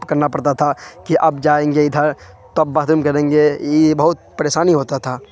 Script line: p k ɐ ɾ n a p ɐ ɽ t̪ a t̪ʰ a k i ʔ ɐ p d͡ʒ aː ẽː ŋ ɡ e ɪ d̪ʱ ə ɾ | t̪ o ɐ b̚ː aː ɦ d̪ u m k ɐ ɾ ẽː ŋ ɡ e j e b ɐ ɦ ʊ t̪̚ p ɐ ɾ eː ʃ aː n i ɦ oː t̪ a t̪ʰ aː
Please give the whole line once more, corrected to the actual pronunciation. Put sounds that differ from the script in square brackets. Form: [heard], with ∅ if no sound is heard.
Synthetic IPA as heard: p k ɐ ɾ n a p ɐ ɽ t̪ a t̪ʰ a k i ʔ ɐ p d͡ʒ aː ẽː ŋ ɡ e ɪ d̪ʱ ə ɾ | t̪ o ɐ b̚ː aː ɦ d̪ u m k ɐ ɾ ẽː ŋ ɡ e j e b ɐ ɦ ʊ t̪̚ p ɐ ɾ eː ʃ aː n i ɦ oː t̪ a t̪ʰ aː